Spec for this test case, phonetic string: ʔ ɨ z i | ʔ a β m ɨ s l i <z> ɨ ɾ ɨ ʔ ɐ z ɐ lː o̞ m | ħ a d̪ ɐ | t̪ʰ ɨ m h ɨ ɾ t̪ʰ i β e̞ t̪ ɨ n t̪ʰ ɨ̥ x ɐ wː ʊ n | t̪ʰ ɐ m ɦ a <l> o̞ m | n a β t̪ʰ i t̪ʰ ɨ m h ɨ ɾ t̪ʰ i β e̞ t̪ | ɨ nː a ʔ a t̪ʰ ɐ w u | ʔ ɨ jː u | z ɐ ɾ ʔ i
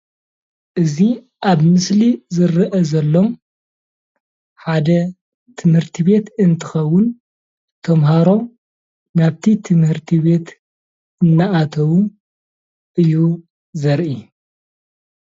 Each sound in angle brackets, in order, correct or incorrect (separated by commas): correct, incorrect